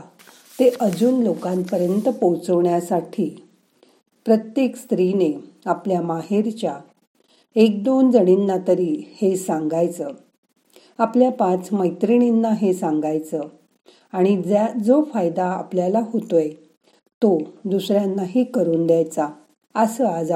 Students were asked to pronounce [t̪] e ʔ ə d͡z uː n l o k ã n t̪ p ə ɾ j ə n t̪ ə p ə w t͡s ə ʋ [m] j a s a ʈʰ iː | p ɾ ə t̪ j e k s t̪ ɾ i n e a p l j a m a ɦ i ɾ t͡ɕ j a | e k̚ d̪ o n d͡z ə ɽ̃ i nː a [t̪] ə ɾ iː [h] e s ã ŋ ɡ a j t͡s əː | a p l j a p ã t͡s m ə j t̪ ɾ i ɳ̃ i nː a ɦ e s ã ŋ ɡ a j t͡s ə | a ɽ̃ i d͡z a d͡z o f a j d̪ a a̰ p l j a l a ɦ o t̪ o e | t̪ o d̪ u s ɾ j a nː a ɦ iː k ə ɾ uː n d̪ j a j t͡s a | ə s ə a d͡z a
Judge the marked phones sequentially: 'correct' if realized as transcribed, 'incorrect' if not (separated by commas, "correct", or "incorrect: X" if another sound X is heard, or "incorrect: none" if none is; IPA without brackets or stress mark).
correct, incorrect: ɳ, correct, correct